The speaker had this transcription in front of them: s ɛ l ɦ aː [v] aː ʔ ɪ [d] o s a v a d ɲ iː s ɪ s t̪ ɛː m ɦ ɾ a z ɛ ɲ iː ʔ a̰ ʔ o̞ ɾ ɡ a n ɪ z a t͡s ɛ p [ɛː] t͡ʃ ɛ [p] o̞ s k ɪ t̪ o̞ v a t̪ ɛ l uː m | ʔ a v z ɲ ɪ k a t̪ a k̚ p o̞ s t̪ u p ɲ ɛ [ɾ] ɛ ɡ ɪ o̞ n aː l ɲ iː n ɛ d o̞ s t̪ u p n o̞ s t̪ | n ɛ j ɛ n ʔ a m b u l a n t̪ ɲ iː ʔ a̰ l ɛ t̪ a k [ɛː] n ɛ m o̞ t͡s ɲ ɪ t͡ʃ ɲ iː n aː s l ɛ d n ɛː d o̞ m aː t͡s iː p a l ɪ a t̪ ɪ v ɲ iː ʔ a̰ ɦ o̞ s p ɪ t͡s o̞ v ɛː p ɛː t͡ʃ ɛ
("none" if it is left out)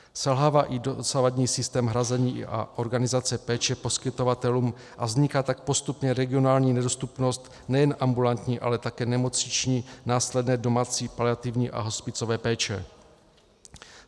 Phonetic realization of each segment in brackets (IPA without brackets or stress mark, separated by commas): v, d, ɛː, p, ɾ, ɛː